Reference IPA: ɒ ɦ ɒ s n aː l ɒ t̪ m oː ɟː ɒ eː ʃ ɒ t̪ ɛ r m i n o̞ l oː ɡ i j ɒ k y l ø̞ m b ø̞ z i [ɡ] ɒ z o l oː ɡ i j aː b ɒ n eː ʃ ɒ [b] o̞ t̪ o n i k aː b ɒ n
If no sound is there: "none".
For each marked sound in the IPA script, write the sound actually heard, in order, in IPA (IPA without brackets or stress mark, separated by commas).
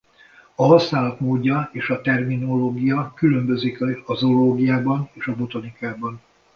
k, b